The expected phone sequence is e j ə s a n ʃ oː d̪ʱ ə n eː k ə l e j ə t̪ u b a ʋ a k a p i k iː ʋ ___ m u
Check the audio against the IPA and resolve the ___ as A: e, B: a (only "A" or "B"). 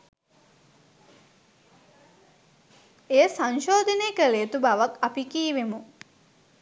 A